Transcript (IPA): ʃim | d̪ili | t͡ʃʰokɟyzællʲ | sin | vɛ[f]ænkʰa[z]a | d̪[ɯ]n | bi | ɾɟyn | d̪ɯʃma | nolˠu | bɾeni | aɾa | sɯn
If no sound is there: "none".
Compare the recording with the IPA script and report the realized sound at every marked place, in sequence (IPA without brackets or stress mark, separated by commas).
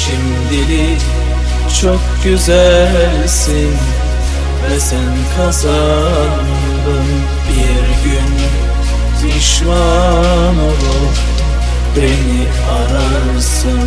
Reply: s, z, ɯ